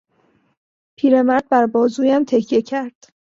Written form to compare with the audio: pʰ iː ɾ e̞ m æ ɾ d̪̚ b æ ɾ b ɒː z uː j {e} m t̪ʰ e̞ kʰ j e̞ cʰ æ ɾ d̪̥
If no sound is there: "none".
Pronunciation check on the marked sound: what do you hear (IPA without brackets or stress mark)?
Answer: æ